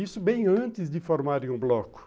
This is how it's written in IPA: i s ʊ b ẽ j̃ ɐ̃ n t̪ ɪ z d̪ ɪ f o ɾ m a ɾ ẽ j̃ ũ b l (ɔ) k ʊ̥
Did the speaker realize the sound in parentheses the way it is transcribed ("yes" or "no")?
yes